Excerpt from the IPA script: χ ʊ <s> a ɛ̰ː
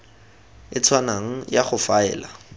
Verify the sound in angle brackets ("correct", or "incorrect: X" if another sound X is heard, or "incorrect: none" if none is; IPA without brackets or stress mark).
incorrect: f